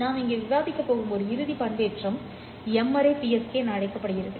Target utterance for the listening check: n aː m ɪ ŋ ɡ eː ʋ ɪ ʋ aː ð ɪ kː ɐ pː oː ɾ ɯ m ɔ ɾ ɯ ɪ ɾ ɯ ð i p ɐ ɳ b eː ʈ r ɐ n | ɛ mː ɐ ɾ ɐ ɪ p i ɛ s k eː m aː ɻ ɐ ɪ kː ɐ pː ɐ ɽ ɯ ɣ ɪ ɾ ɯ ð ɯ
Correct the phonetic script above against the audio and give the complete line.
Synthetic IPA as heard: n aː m ɪ ŋ ɡ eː ʋ ɪ ʋ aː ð ɪ kː ɐ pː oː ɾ ɯ m ɔ ɾ ɯ ɪ ɾ ɯ ð i p ɐ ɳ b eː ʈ r ɐ m | ɛ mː ɐ ɾ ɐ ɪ p i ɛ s k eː n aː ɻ ɐ ɪ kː ɐ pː ɐ ɽ ɯ ɣ ɪ ɾ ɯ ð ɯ

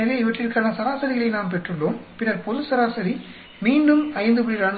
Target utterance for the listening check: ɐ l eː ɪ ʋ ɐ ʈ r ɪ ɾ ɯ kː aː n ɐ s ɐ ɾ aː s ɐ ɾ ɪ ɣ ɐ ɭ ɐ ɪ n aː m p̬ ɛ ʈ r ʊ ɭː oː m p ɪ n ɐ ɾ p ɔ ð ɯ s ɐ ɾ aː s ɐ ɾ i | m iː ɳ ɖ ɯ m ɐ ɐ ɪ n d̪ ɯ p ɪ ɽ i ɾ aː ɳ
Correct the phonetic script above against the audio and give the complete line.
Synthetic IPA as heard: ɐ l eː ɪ ʋ ɐ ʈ r ɪ ɾ ɯ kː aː n ɐ s ɐ ɾ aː s ɐ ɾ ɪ ɣ ɐ ɭ ɐ ɪ n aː m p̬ ɛ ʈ r ɯ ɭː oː m p ɪ n ɐ ɾ p ɔ ð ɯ s ɐ ɾ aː s ɐ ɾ i | m iː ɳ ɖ ɯ m ɐ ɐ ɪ n d̪ ɯ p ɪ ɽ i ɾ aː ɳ

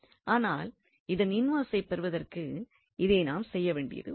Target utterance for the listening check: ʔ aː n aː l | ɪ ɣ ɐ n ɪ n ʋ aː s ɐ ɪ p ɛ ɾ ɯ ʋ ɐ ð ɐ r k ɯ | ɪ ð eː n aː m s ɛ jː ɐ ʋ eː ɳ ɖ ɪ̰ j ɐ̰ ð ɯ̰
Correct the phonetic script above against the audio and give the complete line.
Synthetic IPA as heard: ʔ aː n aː l | ɪ ð ɐ n ɪ n ʋ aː s ɐ ɪ p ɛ ɾ ɯ ʋ ɐ ð ɐ r k ɯ | ɪ ð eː n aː m s ɛ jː ɐ ʋ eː ɳ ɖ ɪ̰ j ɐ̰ ð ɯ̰

